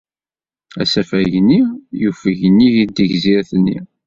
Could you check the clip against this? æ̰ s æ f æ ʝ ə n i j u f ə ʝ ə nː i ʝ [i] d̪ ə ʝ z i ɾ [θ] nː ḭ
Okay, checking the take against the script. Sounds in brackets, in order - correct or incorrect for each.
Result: correct, correct

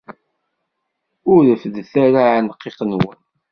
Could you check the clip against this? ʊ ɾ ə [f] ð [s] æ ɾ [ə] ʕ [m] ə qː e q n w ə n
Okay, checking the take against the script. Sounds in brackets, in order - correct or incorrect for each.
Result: correct, incorrect: θ, incorrect: a, incorrect: n

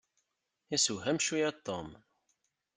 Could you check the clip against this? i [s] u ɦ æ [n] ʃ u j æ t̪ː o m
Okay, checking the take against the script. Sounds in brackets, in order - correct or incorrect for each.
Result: correct, incorrect: m

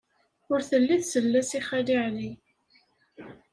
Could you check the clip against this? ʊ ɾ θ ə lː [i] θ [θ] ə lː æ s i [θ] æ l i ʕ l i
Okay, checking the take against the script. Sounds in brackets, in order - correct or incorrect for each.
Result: correct, incorrect: s, incorrect: χ

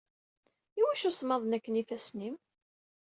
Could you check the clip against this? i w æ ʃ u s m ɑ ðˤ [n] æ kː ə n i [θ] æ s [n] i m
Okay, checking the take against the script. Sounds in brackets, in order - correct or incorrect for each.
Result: correct, incorrect: f, correct

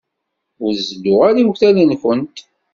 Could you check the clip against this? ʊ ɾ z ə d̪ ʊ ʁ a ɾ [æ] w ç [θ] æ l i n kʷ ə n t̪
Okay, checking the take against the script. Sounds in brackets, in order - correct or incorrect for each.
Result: incorrect: i, correct

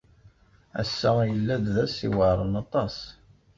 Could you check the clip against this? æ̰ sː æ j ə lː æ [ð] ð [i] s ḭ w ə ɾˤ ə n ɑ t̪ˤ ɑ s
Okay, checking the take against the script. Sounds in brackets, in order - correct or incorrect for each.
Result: correct, incorrect: æ

